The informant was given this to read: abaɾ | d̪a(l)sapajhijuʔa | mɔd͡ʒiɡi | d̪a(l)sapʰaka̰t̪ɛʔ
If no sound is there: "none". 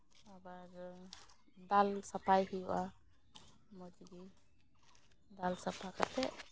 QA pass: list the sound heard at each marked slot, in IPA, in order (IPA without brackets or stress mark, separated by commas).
l, l